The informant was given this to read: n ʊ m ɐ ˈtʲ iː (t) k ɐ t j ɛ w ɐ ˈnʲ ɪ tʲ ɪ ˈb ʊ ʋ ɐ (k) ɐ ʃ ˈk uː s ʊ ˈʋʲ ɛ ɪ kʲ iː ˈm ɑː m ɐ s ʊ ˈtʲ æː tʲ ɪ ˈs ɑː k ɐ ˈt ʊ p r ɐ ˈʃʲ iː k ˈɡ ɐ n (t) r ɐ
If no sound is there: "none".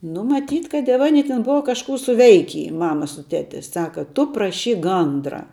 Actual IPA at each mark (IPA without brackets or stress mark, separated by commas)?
t, k, d